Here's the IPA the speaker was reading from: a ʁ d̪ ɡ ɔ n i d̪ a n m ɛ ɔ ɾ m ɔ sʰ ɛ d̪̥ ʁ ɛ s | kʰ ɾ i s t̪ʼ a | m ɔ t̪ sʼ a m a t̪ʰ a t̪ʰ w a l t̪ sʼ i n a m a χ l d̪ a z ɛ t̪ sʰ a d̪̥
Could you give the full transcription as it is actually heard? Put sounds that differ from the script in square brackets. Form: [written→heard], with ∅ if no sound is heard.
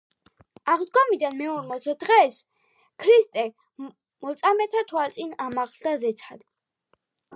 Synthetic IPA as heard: a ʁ d̪ ɡ ɔ [n→m] i d̪ a n m ɛ ɔ ɾ m ɔ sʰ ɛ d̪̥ ʁ ɛ s | kʰ ɾ i s t̪ʼ [a→ɛ] | m ɔ t̪ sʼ a m [a→ɛ] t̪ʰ a t̪ʰ w a l t̪ sʼ i n a m a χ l d̪ a z ɛ t̪ sʰ a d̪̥

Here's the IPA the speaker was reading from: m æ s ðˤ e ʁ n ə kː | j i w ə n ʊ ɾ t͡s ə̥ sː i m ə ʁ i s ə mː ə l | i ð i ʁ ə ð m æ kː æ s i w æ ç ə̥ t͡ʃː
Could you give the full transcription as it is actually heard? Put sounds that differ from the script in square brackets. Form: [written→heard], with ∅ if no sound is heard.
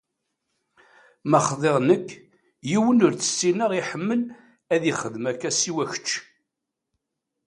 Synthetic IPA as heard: m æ [s→χ] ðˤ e ʁ n ə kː | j i w ə n ʊ ɾ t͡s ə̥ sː i [m→n] ə ʁ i [s→ħ] ə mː ə l | [i→æ] ð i [ʁ→χ] ə ð m æ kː æ s i w æ ç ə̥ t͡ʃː

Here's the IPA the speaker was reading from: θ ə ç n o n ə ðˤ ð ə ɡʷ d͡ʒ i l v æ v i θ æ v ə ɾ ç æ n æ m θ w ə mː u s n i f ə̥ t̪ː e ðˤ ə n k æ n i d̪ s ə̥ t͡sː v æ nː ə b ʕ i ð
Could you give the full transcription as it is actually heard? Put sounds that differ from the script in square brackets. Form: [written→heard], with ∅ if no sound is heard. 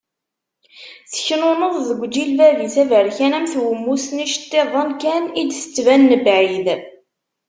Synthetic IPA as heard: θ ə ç n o n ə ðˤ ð ə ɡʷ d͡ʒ i l v æ v i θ æ v ə ɾ ç æ n æ m θ w ə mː u s n i [f→ʃ] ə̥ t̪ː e ðˤ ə n k æ n i d̪ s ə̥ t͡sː v æ nː ə b ʕ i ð

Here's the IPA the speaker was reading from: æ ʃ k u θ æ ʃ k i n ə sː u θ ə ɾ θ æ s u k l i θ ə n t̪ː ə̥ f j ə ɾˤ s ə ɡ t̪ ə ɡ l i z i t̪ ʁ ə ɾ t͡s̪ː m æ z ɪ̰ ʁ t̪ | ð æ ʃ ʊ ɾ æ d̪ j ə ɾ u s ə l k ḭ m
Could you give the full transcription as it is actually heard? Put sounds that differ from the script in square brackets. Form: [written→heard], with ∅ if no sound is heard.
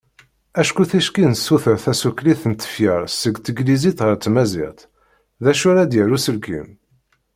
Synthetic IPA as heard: æ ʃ k u θ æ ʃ k i n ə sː u θ ə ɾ θ æ s u k l i θ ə n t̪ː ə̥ f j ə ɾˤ s ə ɡ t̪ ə ɡ l i z i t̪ ʁ ə ɾ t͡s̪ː m æ z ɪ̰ ʁ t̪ | ð æ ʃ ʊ ɾ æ d̪ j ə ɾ u s ə l k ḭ m

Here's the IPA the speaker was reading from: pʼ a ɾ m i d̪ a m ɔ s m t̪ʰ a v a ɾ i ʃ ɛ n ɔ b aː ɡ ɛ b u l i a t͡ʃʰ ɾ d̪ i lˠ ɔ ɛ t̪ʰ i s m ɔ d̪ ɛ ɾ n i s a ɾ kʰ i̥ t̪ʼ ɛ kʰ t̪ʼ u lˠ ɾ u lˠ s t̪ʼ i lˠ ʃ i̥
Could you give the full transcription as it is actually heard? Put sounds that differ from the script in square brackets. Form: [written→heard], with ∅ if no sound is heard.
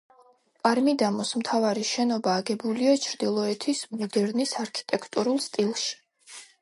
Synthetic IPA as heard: pʼ a ɾ m i d̪ a m ɔ s m t̪ʰ a v a ɾ i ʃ ɛ n ɔ b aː ɡ ɛ b u l i a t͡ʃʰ ɾ d̪ i lˠ ɔ ɛ t̪ʰ i s m ɔ d̪ ɛ ɾ n i s a ɾ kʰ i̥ t̪ʼ ɛ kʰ t̪ʼ u [lˠ→∅] ɾ u lˠ s t̪ʼ i lˠ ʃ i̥

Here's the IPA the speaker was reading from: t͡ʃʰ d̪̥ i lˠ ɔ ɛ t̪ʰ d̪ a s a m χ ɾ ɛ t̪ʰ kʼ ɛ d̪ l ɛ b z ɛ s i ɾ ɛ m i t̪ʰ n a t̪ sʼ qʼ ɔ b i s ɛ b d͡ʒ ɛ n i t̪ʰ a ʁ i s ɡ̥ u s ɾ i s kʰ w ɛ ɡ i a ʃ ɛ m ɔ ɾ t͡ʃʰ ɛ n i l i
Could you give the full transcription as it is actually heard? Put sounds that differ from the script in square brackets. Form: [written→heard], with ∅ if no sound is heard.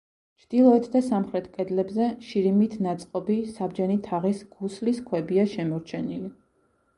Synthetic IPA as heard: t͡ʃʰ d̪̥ i lˠ ɔ ɛ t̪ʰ d̪ a s a m χ ɾ ɛ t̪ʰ kʼ ɛ d̪ l ɛ b z ɛ [s→ʃ] i ɾ [ɛ→i] m i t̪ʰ n a t̪ sʼ qʼ ɔ b i s [ɛ→a] b d͡ʒ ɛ n i t̪ʰ a ʁ i s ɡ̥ u s [ɾ→l] i s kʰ w ɛ [ɡ→b] i a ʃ ɛ m ɔ ɾ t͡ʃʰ ɛ n i l i

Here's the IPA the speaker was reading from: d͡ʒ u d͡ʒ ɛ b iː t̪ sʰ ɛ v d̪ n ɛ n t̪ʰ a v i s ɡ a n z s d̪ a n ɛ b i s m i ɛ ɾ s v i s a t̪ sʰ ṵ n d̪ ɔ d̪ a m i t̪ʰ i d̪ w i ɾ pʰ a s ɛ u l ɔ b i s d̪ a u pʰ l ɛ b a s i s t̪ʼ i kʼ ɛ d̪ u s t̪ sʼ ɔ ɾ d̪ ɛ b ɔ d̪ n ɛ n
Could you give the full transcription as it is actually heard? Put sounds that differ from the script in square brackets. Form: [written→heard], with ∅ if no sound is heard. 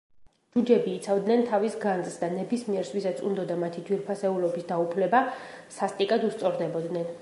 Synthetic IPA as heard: d͡ʒ u d͡ʒ ɛ b iː t̪ sʰ [ɛ→a] v d̪ n ɛ n t̪ʰ a v i s ɡ a n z s d̪ a n ɛ b i s m i ɛ ɾ s v i s a t̪ sʰ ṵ n d̪ ɔ d̪ a m [i→a] t̪ʰ i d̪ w i ɾ pʰ a s ɛ u l ɔ b i s d̪ a u pʰ l ɛ b a s [i→a] s t̪ʼ i kʼ [ɛ→a] d̪ u s t̪ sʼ ɔ ɾ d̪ ɛ b ɔ d̪ n ɛ n

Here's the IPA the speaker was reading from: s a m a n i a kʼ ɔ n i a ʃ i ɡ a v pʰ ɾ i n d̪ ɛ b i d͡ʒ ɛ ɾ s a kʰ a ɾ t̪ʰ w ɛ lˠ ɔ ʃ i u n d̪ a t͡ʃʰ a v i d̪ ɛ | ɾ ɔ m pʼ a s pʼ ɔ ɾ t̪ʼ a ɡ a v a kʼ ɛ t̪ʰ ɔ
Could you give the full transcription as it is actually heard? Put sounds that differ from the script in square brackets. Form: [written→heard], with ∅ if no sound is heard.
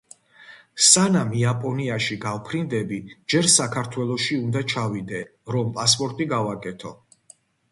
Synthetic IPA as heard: s a [m→n] a [n→m] i a [kʼ→pʼ] ɔ n i a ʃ i ɡ a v pʰ ɾ i n d̪ ɛ b i d͡ʒ ɛ ɾ s a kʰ a ɾ t̪ʰ w ɛ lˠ ɔ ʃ i u n d̪ a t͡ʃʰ a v i d̪ ɛ | ɾ ɔ m pʼ a s pʼ ɔ ɾ t̪ʼ [a→i] ɡ a v a kʼ ɛ t̪ʰ ɔ

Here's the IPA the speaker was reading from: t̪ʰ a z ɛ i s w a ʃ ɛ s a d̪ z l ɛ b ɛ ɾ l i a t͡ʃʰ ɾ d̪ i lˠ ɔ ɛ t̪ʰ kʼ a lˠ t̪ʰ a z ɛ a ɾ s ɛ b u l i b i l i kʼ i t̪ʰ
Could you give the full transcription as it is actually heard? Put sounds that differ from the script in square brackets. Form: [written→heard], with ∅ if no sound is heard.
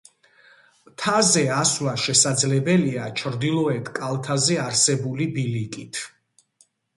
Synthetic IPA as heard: t̪ʰ a z ɛ [i→a] s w a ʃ ɛ s a d̪ z l ɛ b ɛ [ɾ→∅] l i a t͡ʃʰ ɾ d̪ i lˠ ɔ ɛ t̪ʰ kʼ a lˠ t̪ʰ a z ɛ a ɾ s ɛ b u l i b i l i kʼ i t̪ʰ

